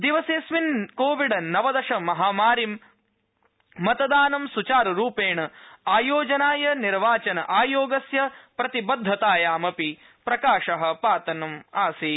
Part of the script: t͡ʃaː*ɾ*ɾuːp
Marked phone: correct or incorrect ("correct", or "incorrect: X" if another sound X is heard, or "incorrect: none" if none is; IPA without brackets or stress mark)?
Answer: correct